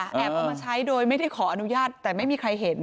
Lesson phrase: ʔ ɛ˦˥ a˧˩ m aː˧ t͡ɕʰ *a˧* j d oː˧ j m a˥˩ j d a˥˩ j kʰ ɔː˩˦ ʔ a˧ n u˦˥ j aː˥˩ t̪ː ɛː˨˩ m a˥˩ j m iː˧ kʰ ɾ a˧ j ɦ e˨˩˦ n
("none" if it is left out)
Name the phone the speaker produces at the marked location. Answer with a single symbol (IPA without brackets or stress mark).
a˦˥